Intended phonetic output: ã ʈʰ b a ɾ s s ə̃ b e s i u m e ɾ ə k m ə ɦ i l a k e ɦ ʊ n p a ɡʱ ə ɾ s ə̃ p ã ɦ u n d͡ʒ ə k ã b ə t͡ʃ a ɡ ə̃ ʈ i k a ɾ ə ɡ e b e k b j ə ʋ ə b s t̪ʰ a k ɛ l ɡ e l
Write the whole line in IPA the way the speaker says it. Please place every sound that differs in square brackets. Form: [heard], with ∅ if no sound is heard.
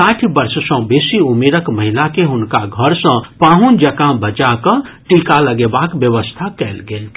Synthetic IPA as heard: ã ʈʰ b [ə] ɾ s s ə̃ b e s i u m e ɾ ə k m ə ɦ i l a k e ɦ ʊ n [k] a ɡʱ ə ɾ s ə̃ p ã ɦ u n d͡ʒ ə k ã b ə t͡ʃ a [k] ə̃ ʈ i k a [l] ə ɡ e b [a] k b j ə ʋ ə [∅] s t̪ʰ a k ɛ l ɡ e l

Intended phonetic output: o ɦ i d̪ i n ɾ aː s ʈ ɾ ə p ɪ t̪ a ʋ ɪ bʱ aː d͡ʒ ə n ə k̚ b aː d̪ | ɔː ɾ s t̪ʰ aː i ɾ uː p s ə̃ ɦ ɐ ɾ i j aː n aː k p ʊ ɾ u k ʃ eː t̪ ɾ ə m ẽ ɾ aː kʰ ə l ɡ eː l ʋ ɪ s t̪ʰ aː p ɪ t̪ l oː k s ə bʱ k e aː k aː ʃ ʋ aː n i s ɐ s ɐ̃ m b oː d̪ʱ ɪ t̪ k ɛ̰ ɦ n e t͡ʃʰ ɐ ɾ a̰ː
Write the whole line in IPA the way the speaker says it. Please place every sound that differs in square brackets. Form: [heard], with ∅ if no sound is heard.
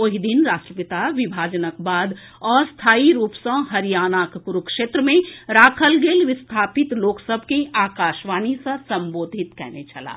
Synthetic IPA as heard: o ɦ i d̪ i n ɾ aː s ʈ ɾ ə p ɪ t̪ a ʋ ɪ bʱ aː d͡ʒ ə n ə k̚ b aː d̪ | ɔː ɾ s t̪ʰ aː i ɾ uː p s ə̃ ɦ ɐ ɾ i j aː n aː k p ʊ ɾ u k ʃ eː t̪ ɾ ə m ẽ ɾ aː kʰ ə l ɡ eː l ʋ ɪ s t̪ʰ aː p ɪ t̪ l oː k s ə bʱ k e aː k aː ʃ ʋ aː n i s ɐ s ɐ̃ m b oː d̪ʱ ɪ t̪ k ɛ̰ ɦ n e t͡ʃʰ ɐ [l] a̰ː

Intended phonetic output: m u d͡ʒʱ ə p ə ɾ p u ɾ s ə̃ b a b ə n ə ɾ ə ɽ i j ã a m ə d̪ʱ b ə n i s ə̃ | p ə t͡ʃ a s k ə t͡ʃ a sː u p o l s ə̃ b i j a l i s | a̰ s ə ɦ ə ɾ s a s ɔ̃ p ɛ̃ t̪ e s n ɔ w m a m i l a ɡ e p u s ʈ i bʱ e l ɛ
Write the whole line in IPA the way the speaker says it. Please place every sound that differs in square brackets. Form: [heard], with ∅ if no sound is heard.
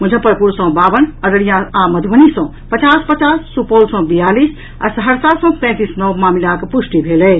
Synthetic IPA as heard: m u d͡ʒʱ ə p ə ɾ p u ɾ s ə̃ b a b ə n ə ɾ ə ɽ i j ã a m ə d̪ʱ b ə n i s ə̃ | p ə t͡ʃ a s [p] ə t͡ʃ a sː u p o l s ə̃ b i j a l i s | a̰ s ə ɦ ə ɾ s a s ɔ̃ p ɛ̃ t̪ [i] s n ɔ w m a m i l a [k] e p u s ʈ i bʱ e l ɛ

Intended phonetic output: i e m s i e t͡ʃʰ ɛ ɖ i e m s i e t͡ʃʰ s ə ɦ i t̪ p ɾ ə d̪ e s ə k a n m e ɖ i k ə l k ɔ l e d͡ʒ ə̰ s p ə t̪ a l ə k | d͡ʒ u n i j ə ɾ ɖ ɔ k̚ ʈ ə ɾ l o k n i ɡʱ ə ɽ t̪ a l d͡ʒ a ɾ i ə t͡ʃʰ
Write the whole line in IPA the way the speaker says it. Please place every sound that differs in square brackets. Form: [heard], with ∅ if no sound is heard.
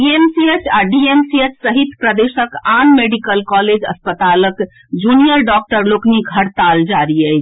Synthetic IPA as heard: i e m s i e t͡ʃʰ [a] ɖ i e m s i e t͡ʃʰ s ə ɦ i t̪ p ɾ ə d̪ e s ə k a n m e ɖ i k ə l k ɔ l e d͡ʒ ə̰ s p ə t̪ a l ə k | d͡ʒ u n i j ə ɾ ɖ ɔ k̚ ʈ ə ɾ l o k n i ɡʱ ə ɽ t̪ a l d͡ʒ a ɾ i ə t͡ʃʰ

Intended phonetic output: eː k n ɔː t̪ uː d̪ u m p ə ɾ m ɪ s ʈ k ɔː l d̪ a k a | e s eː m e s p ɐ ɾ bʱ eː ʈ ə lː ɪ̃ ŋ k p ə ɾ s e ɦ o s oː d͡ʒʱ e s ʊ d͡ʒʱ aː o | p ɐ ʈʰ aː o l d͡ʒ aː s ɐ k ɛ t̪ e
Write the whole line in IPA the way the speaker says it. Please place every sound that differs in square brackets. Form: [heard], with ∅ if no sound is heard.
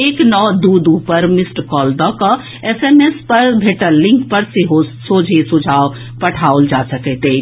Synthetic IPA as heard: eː k n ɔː [d̪] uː d̪ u [∅] p ə ɾ m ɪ s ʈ k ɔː l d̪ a k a | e s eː m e s p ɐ ɾ bʱ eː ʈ ə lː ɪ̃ ŋ k p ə ɾ s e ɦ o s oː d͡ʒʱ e s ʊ d͡ʒʱ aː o | p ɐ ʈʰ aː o l d͡ʒ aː s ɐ k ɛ t̪ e

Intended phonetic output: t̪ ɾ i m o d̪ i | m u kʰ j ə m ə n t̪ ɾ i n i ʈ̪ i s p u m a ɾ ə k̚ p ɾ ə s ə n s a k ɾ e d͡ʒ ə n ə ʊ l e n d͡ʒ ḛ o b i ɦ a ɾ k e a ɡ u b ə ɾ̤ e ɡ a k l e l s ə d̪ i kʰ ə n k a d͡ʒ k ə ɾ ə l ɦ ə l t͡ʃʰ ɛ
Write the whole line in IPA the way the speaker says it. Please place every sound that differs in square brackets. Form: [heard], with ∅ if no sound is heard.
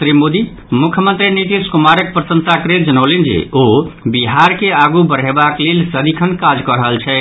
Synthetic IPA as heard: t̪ ɾ i m o d̪ i | m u kʰ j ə m ə n t̪ ɾ i n i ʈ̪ i s [k] u m a ɾ ə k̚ p ɾ ə s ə n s a k ɾ e d͡ʒ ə n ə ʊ l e n d͡ʒ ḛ o b i ɦ a ɾ k e a ɡ u b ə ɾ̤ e [b] a k l e l s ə d̪ i kʰ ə n k a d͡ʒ k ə ɾ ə [∅] ɦ ə l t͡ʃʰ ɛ

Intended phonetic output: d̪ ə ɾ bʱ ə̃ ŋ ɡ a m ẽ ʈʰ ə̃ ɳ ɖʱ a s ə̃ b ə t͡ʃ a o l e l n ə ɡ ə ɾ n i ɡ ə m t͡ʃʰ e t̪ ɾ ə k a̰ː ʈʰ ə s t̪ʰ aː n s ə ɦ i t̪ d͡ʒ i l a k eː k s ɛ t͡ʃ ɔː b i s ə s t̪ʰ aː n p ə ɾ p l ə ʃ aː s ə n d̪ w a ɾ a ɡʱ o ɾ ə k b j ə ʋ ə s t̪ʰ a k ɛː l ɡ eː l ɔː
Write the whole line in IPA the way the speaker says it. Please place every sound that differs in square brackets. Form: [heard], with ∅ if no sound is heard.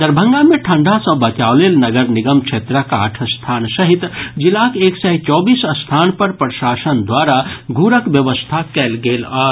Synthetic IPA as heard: d̪ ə ɾ bʱ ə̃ ŋ ɡ a m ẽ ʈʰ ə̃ ɳ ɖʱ a s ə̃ b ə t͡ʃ a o l e l n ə ɡ ə ɾ n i ɡ ə m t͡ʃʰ e t̪ ɾ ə k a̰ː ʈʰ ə s t̪ʰ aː n s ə ɦ i t̪ d͡ʒ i l a k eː k s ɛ t͡ʃ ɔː b i s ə s t̪ʰ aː n p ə ɾ p [ɾ] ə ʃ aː s ə n d̪ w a ɾ a ɡʱ [u] ɾ ə k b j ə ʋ ə s t̪ʰ a k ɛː l ɡ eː l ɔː

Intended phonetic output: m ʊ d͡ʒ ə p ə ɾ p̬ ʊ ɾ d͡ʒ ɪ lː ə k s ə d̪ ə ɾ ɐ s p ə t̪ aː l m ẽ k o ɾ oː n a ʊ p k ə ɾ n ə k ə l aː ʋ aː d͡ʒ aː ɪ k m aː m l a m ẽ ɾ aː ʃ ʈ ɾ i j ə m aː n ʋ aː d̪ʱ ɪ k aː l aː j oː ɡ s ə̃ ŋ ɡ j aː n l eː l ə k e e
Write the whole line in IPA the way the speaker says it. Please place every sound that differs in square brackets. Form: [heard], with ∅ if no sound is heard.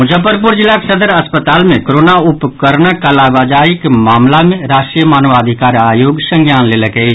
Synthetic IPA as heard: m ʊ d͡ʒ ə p ə ɾ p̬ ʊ ɾ d͡ʒ ɪ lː [a] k s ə d̪ ə ɾ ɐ s p ə t̪ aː l m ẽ k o ɾ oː n a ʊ p k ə ɾ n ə k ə l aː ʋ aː d͡ʒ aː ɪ k m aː m l a m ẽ ɾ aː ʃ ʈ ɾ i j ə m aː n ʋ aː d̪ʱ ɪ k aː [ɾ] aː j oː ɡ s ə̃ ŋ ɡ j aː n l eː l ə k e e

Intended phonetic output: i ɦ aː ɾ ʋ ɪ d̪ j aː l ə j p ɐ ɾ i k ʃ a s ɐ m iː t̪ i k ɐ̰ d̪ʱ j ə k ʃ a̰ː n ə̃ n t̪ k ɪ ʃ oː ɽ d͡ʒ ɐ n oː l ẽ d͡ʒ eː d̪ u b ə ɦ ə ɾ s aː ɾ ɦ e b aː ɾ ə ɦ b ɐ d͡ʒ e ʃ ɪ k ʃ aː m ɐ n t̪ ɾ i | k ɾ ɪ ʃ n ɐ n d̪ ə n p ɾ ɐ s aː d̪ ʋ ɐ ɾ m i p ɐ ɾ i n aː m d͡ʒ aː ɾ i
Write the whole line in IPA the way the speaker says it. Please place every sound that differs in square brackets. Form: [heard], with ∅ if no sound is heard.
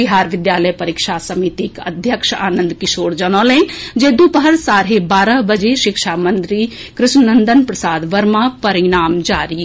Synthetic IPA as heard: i ɦ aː ɾ ʋ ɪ d̪ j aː l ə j p ɐ ɾ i k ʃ a s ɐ m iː t̪ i k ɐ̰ d̪ʱ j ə k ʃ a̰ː n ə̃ n [d̪] k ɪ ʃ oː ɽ d͡ʒ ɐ n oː l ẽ d͡ʒ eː d̪ u [p] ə ɦ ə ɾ s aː ɾ ɦ e b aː ɾ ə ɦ b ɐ d͡ʒ e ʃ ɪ k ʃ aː m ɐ n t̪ ɾ i | k ɾ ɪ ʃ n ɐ n d̪ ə n p ɾ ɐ s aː d̪ ʋ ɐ ɾ m [a] p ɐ ɾ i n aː m d͡ʒ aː ɾ i

